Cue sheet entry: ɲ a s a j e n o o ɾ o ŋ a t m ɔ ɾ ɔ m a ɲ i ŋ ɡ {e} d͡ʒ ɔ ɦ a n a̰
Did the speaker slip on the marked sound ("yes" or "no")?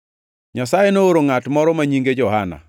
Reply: no